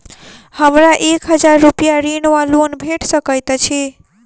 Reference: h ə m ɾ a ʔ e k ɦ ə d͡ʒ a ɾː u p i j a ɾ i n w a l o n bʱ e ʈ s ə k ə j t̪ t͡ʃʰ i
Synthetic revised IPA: h ə m ɾ a ʔ e k ɦ ə d͡ʒ a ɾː u p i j a ɾ i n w a l o n bʱ e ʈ s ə k ə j t̪ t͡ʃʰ i